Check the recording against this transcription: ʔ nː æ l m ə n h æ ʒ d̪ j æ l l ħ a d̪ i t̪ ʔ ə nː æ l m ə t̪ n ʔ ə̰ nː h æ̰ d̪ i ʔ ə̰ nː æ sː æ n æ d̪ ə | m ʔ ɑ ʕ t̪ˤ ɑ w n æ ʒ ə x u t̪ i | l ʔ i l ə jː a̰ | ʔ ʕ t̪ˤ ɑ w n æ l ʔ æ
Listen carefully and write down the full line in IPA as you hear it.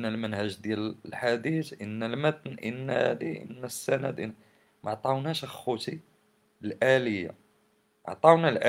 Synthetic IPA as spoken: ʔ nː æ l m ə n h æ ʒ d̪ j æ l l ħ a d̪ i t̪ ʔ ə nː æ l m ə t̪ n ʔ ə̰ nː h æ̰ d̪ i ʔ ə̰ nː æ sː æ n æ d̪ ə | m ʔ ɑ ʕ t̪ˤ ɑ w n æ ʃ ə x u t̪ i | l ʔ æ l ə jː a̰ | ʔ ʕ t̪ˤ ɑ w n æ l ʔ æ